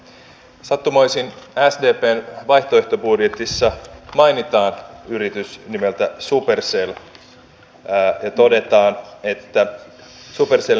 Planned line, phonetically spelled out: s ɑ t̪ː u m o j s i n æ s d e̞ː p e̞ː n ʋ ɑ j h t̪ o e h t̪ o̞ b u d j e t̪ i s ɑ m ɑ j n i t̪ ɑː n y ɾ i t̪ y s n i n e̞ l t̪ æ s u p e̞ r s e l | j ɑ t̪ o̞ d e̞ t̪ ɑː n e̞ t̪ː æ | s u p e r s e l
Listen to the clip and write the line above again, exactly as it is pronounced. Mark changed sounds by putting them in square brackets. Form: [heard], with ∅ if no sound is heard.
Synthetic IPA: s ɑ t̪ː u m o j s i n æ s d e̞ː p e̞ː n ʋ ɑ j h t̪ o e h t̪ o̞ b u d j e t̪ i [sː] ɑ m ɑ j n i t̪ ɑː n y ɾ i t̪ y s n i [m] e̞ l t̪ æ s u p e̞ r s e l | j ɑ t̪ o̞ d e̞ t̪ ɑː n e̞ t̪ː æ | s u p e r s e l